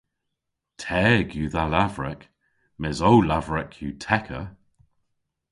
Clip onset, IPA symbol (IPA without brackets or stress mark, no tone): tʰ